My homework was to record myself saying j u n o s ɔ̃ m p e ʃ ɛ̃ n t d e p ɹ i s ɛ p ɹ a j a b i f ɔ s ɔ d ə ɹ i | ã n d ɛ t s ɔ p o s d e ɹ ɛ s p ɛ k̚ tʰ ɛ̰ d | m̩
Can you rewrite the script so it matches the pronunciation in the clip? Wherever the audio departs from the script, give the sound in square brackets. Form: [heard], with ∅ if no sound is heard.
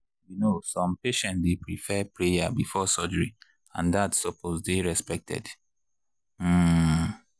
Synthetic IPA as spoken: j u n o s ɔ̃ m p e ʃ ɛ̃ n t d e p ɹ i [f] ɛ p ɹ [e] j a b i f ɔ s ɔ [d͡ʒ] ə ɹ i | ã n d [a] t s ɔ p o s d e ɹ ɛ s p ɛ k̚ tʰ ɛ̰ d | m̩